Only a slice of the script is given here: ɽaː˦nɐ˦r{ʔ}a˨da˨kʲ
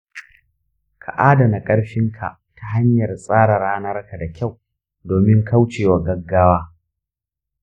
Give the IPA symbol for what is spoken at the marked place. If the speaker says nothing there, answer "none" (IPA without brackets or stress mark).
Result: k